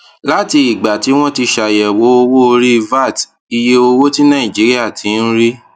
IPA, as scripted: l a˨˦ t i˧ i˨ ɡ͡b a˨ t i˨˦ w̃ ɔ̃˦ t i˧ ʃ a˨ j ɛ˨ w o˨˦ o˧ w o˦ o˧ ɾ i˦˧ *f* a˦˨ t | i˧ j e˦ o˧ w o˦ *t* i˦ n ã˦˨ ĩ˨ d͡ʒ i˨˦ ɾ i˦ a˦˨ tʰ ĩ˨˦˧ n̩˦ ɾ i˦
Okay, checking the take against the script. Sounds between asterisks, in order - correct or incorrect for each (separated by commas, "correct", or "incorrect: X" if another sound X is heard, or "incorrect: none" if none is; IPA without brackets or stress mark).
incorrect: v, correct